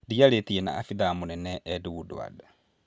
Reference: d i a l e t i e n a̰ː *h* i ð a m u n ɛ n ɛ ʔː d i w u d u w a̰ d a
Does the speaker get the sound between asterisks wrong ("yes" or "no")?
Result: yes